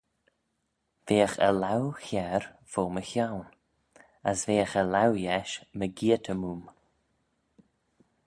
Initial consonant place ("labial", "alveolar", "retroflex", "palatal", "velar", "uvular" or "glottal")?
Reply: labial